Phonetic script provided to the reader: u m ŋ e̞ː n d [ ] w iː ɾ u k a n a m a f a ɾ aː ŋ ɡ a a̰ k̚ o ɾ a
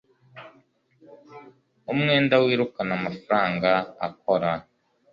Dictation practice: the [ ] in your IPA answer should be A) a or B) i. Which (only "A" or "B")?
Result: A